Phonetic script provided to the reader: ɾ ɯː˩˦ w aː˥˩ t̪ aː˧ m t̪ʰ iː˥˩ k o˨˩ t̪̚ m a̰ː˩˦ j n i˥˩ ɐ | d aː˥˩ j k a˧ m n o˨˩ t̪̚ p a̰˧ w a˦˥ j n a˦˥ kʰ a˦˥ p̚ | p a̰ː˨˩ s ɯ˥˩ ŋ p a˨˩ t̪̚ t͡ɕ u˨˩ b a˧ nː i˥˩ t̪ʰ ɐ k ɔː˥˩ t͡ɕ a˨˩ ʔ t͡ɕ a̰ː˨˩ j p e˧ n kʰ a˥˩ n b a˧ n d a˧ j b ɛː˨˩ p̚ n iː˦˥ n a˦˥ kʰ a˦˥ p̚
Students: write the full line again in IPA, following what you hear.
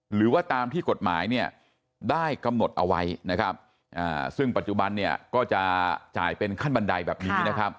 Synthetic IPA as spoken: ɾ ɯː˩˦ w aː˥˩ t̪ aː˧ m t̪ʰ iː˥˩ k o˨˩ t̪̚ m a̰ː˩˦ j n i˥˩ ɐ | d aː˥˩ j k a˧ m n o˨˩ t̪̚ ʔ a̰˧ w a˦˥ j n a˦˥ kʰ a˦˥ p̚ | ʔ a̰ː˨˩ s ɯ˥˩ ŋ p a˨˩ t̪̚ t͡ɕ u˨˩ b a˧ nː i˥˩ ɐ k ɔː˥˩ t͡ɕ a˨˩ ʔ t͡ɕ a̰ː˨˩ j p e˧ n kʰ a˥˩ n b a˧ n d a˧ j b ɛː˨˩ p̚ n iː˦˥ n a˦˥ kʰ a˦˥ p̚